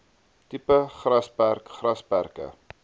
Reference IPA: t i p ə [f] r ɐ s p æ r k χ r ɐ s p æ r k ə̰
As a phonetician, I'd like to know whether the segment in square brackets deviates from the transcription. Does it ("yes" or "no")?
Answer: yes